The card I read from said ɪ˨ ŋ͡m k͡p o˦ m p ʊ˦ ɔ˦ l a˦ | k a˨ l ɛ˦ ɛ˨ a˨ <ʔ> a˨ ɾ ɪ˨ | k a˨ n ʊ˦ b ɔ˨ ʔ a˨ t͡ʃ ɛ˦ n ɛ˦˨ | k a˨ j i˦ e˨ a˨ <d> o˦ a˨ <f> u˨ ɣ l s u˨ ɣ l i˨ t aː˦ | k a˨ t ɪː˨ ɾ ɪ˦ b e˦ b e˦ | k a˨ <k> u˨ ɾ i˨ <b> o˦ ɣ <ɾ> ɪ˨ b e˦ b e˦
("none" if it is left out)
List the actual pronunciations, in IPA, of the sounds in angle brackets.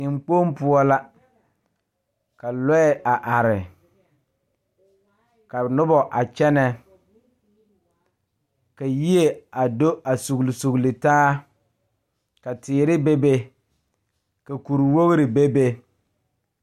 ʔ, d, s, k, w, ɾ

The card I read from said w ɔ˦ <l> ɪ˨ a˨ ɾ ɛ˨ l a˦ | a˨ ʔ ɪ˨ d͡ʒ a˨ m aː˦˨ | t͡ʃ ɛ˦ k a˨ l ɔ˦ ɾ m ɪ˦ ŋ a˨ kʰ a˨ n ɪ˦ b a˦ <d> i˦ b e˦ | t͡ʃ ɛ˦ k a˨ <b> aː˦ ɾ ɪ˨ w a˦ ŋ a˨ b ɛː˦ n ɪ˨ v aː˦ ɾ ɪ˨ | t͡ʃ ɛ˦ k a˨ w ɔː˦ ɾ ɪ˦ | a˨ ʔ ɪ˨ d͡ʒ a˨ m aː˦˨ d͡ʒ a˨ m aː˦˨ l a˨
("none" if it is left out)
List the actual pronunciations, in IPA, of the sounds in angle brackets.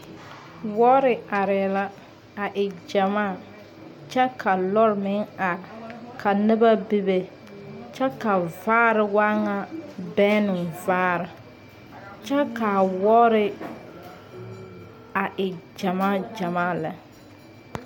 ɾ, b, v

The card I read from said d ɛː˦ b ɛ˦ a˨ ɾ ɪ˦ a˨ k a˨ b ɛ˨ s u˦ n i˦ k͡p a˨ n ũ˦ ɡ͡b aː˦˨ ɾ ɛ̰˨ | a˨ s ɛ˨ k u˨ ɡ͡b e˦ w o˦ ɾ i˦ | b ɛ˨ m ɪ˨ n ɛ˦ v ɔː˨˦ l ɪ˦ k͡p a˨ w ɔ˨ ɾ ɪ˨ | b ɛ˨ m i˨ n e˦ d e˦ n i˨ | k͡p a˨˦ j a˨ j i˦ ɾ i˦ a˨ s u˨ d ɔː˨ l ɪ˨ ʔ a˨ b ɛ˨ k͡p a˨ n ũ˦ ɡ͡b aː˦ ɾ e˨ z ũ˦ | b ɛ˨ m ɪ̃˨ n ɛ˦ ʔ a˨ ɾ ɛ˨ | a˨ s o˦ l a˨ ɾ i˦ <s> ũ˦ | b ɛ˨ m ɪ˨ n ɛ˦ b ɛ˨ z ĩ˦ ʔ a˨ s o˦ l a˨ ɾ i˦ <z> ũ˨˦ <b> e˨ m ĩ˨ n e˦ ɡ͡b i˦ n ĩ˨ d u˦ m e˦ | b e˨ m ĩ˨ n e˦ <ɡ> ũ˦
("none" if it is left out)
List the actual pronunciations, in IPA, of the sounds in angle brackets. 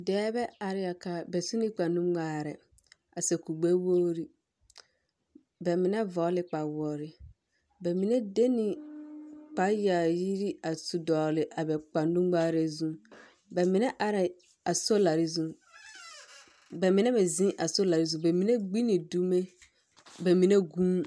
z, z, b, ɡ

